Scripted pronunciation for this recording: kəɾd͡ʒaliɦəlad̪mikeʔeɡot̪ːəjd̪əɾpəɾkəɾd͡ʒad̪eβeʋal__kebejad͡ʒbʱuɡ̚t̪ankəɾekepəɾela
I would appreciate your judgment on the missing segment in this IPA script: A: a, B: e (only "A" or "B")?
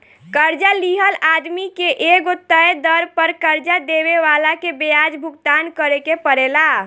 A